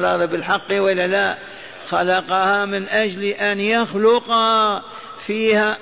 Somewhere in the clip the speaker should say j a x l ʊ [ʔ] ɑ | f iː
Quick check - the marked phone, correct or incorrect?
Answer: incorrect